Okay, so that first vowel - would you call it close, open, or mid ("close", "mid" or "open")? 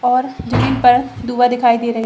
mid